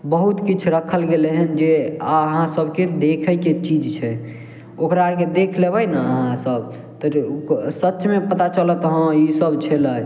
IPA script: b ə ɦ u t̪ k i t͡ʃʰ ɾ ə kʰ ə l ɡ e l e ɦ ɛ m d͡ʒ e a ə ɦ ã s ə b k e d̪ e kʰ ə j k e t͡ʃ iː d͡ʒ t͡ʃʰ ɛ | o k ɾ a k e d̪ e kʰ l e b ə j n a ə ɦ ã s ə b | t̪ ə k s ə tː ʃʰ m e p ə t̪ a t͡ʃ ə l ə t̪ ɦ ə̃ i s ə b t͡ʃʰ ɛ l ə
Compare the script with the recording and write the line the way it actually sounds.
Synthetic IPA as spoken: b ə ɦ u t̪ k i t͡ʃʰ ɾ ə kʰ ə l ɡ e l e ɦ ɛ n d͡ʒ e a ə ɦ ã s ə b k e d̪ e kʰ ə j k e t͡ʃ i d͡ʒ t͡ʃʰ ɛ | o k ɾ a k e d̪ e kʰ l e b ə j n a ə ɦ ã s ə b | t̪ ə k s ə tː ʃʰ m e p ə t̪ a t͡ʃ ə l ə t̪ ɦ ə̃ i s ə b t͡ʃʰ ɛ l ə